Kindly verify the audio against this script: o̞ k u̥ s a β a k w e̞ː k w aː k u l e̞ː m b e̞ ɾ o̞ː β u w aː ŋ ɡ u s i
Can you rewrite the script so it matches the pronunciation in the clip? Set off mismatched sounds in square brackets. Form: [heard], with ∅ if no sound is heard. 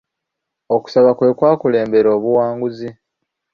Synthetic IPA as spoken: o̞ k u̥ s a β a k w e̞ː k w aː k u l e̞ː m b e̞ ɾ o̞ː β u w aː ŋ ɡ u [z] i

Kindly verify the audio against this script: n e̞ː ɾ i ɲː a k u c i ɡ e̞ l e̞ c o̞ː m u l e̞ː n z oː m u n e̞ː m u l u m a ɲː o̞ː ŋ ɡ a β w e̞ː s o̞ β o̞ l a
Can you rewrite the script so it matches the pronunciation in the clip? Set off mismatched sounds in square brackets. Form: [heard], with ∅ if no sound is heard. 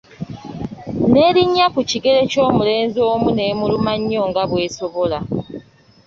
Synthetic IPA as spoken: n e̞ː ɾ i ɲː a k u c i ɡ e̞ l e̞ c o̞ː m u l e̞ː n z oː m u n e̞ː m u l u m a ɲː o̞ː ŋ ɡ a β w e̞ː s o̞ β o̞ l a

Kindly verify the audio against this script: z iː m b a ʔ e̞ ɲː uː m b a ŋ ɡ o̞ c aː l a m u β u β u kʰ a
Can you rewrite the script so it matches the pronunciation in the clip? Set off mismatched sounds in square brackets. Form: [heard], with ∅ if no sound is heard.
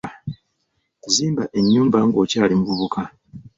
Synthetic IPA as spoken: z iː m b a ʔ e̞ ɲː uː m b a ŋ ɡ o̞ c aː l [i] m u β u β u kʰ a

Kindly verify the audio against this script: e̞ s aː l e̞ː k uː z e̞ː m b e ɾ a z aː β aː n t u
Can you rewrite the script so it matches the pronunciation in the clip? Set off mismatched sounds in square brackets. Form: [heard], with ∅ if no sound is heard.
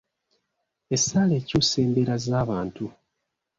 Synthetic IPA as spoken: e̞ s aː l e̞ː [c] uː [s] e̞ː m b e ɾ a z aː β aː n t u

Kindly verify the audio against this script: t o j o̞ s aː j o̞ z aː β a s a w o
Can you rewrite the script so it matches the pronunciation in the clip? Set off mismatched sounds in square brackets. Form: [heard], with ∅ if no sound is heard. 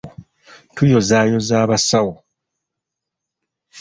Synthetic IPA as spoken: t [u] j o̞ [z] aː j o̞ z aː β a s a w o

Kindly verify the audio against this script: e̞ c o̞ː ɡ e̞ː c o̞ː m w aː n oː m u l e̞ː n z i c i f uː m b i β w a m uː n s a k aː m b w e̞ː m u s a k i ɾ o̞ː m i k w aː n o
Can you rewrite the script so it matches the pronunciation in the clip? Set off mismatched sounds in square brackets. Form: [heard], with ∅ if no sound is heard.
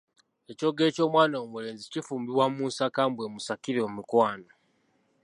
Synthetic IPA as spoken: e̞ c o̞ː ɡ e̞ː c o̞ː m w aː n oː m u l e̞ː n z i c i f uː m b i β w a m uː n s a k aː m b w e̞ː m u s a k i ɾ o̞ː m i k w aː n o

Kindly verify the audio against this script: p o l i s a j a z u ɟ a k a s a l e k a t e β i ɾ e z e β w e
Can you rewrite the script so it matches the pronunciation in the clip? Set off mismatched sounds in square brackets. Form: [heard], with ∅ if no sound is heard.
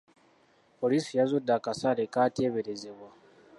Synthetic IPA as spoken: p o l i s [i] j a z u [d] a k a s a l e k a t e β [e] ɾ e z e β w [a]

